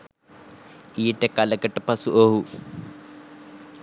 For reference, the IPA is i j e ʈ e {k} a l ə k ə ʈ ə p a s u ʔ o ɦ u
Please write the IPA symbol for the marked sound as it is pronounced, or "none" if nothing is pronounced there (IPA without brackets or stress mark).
k